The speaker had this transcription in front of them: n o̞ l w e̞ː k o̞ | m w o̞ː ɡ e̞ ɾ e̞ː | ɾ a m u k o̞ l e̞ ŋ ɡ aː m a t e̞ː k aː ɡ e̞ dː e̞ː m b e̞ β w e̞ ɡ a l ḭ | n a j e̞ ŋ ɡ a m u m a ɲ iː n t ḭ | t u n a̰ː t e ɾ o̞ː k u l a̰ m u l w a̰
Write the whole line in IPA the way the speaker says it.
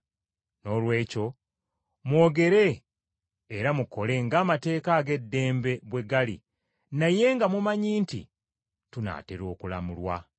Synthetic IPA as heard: n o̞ l w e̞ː c o̞ | m w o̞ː ɡ e̞ ɾ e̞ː | ɾ a m u k o̞ l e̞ ŋ ɡ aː m a t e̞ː k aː ɡ e̞ dː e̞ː m b e̞ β w e̞ ɡ a l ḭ | n a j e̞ ŋ ɡ a m u m a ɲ iː n t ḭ | t u n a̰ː t e ɾ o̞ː k u l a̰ m u l w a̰